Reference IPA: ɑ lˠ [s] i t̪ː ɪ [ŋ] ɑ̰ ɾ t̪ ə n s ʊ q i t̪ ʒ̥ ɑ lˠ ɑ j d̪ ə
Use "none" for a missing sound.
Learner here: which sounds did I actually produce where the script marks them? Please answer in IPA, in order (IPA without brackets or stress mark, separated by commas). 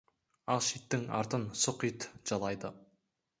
ʃ, ŋ